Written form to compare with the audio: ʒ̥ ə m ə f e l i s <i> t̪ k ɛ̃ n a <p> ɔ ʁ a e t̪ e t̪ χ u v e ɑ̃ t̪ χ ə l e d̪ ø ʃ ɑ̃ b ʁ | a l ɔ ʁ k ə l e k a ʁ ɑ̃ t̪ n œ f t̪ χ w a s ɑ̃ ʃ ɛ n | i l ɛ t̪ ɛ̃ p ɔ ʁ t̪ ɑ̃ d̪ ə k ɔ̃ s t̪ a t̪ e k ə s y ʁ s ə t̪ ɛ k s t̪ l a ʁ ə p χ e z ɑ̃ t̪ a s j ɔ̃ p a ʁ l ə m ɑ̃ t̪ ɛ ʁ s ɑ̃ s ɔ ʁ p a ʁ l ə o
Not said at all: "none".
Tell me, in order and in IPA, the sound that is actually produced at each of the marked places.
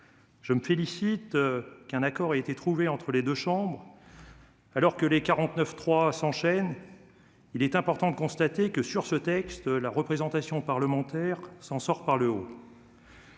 i, k

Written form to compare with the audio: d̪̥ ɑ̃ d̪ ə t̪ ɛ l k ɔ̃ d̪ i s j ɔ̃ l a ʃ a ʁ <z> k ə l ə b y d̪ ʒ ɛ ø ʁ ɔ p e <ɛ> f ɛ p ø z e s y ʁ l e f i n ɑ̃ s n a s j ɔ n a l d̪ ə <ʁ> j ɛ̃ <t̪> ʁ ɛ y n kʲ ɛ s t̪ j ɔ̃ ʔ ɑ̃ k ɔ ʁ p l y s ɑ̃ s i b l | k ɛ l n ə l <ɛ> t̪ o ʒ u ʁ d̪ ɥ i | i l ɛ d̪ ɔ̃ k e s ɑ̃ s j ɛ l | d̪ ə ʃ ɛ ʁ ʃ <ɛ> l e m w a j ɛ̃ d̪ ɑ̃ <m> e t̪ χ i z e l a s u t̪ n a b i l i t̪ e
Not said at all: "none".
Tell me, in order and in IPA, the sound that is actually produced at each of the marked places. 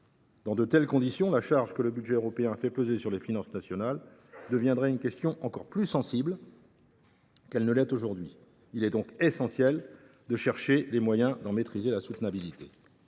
ʒ, ɛ̃, v, d̪, ɛ, e, m

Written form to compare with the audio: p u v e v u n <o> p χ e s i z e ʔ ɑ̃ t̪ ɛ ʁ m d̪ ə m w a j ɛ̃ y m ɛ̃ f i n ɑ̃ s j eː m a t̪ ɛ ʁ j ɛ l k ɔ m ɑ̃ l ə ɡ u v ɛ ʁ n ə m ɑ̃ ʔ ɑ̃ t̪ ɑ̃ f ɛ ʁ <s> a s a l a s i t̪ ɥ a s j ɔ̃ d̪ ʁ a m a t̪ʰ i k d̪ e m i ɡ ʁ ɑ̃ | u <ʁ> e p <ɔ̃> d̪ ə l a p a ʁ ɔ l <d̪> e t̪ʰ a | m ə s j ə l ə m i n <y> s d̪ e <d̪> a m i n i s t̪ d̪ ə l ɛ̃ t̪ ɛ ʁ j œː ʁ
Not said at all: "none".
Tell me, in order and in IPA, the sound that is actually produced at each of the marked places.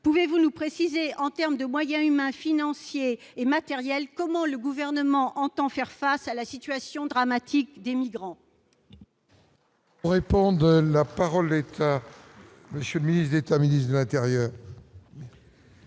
u, f, ʁ, ɔ̃, d̪, i, t̪

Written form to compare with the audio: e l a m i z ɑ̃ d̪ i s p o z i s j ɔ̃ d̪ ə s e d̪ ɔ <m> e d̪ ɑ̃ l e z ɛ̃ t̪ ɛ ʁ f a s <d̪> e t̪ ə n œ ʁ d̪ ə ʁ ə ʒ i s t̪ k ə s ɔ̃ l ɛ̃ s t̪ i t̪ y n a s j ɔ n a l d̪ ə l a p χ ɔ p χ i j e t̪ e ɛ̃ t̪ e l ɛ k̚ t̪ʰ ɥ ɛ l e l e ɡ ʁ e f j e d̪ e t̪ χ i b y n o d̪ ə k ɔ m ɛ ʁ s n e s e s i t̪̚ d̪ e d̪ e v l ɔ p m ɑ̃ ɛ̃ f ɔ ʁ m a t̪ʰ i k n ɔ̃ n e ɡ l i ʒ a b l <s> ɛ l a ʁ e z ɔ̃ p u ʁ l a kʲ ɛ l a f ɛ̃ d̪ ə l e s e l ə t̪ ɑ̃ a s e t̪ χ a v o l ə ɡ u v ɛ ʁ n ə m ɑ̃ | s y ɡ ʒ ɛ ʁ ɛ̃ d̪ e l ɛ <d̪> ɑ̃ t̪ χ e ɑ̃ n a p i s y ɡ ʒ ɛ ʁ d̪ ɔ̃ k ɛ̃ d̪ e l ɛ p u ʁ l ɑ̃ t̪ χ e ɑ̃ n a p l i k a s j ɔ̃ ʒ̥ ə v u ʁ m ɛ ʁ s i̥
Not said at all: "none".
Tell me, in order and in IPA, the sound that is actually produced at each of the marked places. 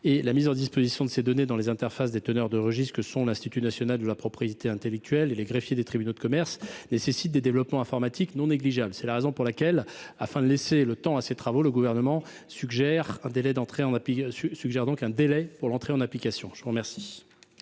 n, d̪, s, d̪

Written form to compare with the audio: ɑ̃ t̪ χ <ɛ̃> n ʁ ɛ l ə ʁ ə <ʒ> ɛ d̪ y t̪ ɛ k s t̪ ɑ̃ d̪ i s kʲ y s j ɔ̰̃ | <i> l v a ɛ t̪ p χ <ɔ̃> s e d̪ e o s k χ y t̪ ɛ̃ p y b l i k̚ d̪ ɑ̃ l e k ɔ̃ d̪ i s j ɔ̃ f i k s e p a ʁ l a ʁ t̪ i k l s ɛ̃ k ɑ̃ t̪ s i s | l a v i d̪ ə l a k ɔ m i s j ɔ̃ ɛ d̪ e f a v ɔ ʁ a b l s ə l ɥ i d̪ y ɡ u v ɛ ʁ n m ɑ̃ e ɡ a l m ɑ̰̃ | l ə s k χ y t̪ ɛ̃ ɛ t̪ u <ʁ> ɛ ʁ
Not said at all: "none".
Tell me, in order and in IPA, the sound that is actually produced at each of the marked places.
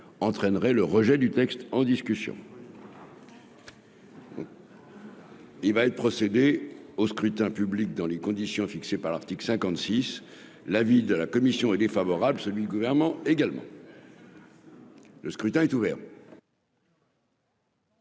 ɛ, ʒ, i, ɔ, v

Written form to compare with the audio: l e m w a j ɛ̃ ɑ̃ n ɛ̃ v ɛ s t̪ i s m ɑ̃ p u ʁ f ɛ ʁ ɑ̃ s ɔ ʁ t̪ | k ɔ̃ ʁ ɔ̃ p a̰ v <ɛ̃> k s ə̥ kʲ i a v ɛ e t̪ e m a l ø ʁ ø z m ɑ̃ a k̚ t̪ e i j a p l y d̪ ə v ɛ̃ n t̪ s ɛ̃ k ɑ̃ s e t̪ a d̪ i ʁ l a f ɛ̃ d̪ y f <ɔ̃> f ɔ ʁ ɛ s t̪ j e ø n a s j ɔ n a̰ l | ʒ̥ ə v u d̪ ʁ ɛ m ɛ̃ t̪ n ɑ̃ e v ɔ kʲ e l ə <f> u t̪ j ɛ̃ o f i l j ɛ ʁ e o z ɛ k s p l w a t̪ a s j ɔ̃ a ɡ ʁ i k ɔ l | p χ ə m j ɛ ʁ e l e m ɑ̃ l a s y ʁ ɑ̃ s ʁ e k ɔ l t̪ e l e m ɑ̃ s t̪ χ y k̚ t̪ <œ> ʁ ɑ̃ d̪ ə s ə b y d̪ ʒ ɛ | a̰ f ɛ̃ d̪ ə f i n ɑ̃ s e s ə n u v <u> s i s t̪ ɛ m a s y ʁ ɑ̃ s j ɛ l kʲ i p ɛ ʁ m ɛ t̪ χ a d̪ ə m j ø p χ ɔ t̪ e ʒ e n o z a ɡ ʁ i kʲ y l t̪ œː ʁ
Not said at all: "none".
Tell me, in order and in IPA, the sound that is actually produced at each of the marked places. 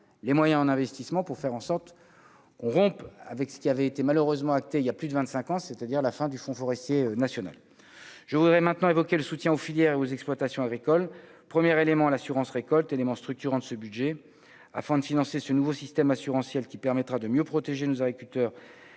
ɛ, ɔ̃, s, y, o

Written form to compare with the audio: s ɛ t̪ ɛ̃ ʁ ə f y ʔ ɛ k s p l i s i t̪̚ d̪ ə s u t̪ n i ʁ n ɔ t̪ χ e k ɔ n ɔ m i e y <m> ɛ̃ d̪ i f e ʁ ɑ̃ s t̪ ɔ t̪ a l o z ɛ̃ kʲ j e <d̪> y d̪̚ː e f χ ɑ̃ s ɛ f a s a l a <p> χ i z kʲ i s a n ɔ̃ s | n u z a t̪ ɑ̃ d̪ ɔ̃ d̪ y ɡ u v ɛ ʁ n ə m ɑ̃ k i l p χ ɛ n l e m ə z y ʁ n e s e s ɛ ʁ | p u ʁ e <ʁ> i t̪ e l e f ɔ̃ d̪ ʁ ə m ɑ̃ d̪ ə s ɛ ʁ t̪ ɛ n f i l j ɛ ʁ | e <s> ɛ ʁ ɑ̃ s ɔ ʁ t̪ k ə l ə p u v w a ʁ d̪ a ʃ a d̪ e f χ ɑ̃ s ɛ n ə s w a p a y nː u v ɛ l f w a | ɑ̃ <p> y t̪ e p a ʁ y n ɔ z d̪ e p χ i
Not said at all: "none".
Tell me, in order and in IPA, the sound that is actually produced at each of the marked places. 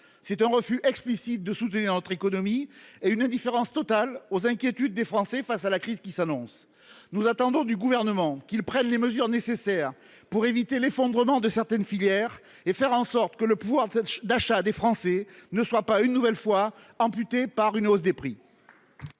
n, t̪, k, v, f, p

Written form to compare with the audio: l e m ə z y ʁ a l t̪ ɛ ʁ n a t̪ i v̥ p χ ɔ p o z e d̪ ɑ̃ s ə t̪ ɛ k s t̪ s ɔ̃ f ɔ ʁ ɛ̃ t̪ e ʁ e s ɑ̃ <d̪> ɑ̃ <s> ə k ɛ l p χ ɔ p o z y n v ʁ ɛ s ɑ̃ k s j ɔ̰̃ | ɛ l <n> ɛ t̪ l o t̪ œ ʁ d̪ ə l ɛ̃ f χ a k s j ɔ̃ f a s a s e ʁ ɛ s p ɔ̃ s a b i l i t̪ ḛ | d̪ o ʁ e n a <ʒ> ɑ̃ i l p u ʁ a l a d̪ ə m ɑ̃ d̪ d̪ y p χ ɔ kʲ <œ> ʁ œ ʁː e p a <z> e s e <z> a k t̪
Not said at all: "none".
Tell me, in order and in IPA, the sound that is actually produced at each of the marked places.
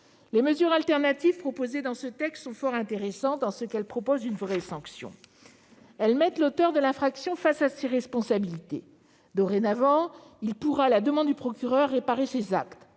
t̪, s, m, v, y, ʁ, z

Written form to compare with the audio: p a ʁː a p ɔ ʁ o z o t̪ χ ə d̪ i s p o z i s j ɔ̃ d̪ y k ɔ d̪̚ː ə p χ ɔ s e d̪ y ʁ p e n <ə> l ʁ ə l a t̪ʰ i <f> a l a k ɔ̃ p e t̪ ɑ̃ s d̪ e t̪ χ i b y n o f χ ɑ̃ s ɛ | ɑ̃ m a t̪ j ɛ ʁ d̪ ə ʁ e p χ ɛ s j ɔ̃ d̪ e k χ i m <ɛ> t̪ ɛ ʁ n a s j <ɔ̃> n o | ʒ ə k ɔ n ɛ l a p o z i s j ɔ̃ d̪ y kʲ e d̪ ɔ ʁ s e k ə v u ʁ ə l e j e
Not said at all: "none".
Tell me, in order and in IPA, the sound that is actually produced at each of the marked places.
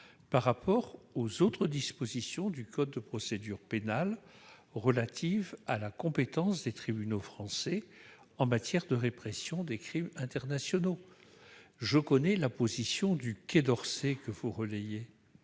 a, v, ɛ̃, ɔ

